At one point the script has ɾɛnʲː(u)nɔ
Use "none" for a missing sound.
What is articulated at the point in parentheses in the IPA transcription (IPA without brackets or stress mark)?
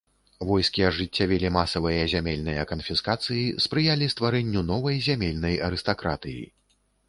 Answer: u